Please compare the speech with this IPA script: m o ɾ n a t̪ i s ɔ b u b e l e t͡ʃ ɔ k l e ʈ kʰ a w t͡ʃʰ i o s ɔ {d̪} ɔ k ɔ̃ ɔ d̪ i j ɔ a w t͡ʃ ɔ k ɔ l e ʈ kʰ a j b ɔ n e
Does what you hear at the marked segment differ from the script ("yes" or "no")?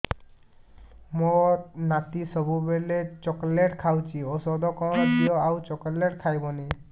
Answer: no